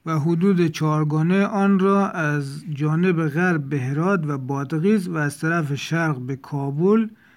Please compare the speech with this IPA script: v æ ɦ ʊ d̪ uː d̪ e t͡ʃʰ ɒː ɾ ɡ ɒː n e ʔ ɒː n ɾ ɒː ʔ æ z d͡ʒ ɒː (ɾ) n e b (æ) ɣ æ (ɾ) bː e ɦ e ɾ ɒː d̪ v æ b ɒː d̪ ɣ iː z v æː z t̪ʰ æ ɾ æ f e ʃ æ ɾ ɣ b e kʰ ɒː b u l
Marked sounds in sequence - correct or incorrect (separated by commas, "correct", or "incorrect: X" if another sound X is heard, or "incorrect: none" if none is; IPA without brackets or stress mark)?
incorrect: none, incorrect: e, correct